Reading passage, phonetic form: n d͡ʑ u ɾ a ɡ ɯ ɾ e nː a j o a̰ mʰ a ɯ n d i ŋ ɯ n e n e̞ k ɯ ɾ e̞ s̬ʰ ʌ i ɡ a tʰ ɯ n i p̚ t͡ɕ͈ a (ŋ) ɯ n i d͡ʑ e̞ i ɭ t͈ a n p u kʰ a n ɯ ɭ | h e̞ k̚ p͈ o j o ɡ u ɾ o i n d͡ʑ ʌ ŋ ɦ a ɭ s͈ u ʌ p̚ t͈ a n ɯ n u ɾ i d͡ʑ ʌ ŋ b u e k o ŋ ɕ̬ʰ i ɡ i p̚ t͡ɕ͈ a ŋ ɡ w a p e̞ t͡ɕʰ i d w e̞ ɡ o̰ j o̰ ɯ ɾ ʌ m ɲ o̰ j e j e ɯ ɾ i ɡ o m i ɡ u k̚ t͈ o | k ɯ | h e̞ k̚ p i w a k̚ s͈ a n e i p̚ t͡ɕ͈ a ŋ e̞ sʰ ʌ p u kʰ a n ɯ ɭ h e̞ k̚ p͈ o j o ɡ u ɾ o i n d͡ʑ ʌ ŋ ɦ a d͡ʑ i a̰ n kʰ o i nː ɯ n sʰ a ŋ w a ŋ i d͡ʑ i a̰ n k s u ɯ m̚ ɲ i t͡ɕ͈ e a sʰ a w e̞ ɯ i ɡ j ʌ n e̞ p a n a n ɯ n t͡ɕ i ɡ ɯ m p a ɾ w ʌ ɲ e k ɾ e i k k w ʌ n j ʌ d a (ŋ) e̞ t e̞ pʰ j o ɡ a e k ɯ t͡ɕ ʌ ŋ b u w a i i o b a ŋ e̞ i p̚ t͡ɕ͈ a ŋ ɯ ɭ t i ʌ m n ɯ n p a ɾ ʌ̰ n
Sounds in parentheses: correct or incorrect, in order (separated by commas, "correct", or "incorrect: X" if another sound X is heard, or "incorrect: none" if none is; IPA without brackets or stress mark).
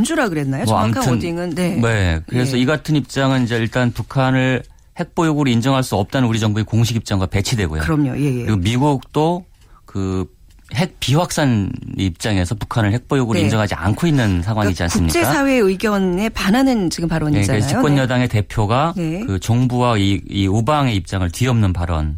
correct, correct